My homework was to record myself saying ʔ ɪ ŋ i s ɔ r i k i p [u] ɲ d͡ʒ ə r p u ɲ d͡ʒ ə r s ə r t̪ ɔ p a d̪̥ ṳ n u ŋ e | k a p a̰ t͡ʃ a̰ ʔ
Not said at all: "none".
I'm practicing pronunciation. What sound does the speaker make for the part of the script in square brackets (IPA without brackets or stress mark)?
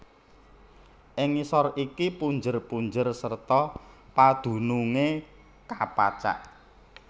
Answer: u